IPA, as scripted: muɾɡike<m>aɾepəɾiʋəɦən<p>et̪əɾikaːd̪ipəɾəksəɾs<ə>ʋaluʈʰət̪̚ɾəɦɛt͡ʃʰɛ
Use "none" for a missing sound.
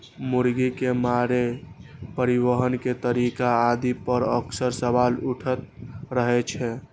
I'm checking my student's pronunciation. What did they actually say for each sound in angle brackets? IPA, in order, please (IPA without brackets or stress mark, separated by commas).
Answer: m, k, ə